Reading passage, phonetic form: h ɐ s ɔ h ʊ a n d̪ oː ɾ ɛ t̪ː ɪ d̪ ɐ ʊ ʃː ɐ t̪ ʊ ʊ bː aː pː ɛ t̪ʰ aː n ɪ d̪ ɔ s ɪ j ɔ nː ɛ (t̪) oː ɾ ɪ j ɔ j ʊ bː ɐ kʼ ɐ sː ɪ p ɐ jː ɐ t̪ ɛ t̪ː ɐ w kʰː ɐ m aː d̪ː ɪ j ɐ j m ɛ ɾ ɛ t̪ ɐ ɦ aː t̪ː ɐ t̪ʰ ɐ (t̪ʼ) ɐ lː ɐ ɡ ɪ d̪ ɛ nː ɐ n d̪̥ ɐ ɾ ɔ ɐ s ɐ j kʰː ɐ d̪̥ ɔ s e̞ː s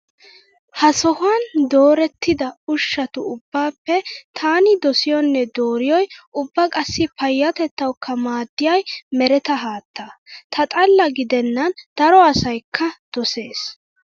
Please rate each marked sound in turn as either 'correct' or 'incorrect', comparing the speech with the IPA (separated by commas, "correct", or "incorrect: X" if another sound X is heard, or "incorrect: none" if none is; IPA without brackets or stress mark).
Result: incorrect: d̪, correct